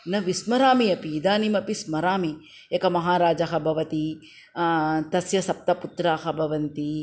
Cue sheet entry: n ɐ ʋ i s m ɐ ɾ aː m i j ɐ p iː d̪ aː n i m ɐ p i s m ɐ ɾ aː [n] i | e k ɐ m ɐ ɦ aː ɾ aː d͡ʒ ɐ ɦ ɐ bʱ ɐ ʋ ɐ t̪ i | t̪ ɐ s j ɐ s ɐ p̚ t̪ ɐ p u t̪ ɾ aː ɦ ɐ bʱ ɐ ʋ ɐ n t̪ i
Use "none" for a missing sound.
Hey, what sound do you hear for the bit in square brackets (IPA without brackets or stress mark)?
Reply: m